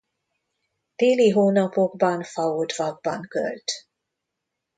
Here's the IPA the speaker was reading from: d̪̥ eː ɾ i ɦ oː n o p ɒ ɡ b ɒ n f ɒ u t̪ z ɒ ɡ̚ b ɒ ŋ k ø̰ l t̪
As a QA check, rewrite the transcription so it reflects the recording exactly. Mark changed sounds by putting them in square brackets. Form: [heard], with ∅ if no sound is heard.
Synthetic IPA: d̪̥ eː [l] i ɦ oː n [ɒ] p [o] ɡ b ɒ n f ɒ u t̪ [v] ɒ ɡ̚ b ɒ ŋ k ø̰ l t̪